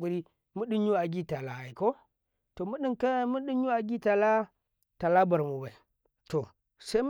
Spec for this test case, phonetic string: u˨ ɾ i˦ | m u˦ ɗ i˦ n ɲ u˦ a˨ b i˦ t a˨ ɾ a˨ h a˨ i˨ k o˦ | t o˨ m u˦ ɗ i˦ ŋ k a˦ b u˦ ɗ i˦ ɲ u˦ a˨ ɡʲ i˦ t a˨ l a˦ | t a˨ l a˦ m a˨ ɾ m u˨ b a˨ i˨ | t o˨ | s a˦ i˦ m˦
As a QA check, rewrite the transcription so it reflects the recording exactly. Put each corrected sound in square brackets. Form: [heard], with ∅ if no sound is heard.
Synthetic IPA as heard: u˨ ɾ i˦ | m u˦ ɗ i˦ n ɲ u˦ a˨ [ɡ] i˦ t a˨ [l] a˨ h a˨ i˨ k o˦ | t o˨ m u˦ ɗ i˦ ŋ k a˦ [m] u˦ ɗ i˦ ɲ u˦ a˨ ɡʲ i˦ t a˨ l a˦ | t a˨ l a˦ [b] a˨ ɾ m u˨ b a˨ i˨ | t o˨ | s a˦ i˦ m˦